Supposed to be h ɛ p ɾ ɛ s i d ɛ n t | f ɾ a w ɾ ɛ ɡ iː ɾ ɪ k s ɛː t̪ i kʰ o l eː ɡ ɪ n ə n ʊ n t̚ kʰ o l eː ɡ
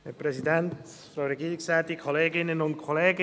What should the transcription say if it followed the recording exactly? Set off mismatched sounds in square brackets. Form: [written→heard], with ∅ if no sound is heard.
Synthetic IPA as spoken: h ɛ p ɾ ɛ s i d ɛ n t | f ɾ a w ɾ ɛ ɡ iː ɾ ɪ k s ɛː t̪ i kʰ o l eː ɡ ɪ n ə n ʊ n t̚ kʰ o l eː ɡ